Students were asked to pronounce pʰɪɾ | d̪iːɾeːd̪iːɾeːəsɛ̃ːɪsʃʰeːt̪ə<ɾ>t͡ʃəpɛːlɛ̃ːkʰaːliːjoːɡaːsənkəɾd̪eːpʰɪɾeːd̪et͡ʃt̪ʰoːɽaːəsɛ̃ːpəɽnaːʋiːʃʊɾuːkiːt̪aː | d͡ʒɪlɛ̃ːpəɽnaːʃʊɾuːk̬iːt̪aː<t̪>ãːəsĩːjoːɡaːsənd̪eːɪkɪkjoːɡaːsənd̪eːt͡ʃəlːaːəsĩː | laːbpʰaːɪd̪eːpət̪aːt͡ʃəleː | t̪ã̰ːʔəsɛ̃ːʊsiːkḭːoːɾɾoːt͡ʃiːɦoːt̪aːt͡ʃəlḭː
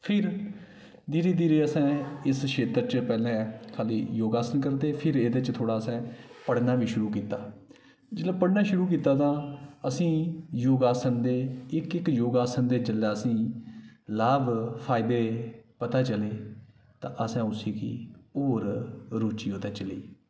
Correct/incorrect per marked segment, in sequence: correct, correct

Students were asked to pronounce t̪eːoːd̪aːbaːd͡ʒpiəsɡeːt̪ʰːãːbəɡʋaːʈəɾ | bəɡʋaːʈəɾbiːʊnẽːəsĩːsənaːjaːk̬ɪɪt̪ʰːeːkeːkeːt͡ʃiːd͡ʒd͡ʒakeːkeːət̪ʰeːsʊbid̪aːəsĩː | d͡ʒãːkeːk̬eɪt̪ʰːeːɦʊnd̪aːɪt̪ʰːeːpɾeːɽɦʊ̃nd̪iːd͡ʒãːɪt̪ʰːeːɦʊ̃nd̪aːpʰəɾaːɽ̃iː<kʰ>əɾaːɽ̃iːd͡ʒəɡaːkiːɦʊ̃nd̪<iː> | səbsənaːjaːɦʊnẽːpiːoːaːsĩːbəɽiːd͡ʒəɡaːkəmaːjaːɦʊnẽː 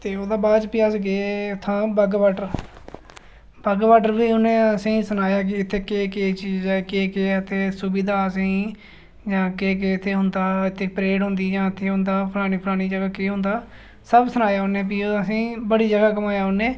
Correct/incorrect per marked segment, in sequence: incorrect: pʰ, incorrect: aː

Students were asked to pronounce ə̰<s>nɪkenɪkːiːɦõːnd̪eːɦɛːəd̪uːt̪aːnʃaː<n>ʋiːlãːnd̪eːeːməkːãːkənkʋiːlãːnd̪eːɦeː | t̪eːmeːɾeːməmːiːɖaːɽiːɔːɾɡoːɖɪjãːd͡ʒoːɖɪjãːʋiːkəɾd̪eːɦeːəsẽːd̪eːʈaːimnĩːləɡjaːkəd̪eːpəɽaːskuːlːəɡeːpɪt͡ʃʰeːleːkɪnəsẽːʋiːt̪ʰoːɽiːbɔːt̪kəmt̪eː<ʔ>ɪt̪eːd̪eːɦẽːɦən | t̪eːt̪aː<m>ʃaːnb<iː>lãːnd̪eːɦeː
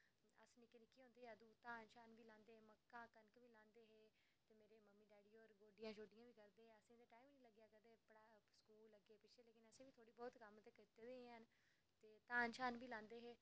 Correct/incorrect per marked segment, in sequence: correct, correct, incorrect: k, incorrect: n, correct

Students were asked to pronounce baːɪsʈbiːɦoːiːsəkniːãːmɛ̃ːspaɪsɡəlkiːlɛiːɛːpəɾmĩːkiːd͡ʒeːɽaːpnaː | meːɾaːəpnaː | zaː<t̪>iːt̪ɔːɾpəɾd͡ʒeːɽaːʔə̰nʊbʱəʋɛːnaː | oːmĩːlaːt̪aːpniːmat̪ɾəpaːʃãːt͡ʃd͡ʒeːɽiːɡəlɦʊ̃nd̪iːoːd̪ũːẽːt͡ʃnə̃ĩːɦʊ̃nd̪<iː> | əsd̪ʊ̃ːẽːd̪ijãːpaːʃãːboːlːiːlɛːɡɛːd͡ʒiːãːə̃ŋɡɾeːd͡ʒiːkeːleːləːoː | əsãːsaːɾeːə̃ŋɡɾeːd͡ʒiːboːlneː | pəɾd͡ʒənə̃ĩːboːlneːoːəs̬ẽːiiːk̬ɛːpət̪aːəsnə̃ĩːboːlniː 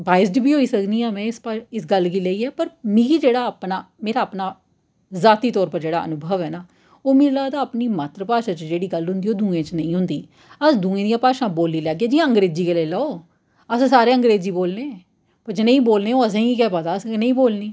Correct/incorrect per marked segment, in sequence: correct, correct

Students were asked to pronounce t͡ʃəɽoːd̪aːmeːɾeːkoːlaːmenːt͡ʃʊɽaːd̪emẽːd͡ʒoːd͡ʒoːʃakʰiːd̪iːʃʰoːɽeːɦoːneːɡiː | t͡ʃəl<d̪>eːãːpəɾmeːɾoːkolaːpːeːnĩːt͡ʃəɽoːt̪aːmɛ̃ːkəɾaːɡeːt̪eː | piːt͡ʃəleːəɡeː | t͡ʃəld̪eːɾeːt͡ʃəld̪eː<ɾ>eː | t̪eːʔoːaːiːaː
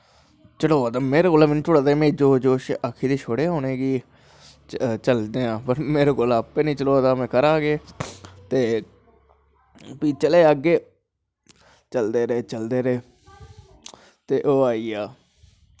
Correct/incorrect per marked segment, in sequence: correct, correct

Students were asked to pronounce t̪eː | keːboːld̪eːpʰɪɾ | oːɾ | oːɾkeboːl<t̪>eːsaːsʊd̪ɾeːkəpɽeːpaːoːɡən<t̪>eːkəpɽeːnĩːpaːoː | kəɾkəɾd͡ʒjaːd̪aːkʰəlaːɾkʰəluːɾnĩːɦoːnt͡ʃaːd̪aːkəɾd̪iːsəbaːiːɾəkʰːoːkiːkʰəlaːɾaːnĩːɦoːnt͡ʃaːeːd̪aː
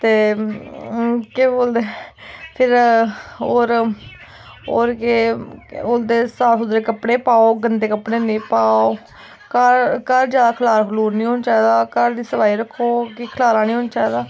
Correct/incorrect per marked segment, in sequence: incorrect: d̪, incorrect: d̪

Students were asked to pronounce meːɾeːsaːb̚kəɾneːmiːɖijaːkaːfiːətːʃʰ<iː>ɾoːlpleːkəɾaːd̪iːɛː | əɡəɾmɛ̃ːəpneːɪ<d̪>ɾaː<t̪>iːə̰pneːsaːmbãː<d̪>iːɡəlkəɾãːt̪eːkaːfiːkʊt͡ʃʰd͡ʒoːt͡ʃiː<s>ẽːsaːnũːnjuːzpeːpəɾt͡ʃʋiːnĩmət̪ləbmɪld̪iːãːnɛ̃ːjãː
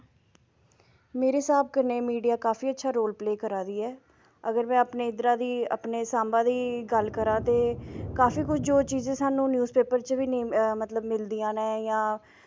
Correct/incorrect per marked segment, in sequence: incorrect: aː, correct, incorrect: d̪, correct, incorrect: z

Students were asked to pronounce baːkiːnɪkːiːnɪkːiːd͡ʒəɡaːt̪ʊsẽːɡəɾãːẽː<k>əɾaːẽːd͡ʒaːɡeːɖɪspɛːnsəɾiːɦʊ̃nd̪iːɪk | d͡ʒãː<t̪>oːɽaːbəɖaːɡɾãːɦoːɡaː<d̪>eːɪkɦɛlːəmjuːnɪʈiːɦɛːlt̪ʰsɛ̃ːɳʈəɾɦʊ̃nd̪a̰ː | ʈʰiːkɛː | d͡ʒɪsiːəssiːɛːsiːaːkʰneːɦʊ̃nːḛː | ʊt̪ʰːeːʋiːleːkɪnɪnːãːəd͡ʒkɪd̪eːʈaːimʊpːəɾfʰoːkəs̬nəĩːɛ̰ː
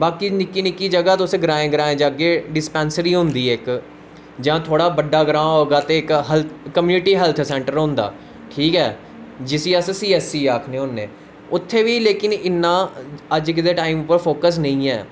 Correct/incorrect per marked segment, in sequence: incorrect: ɡ, incorrect: t̪ʰ, incorrect: t̪

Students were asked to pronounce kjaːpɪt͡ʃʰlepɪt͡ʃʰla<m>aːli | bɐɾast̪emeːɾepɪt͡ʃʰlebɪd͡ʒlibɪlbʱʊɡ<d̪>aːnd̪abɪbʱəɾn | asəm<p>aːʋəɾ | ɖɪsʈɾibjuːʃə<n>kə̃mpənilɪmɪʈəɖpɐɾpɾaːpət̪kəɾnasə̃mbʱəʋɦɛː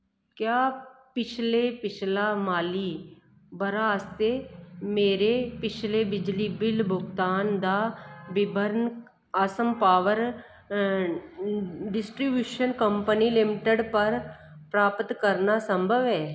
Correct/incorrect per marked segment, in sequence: correct, incorrect: t̪, correct, correct

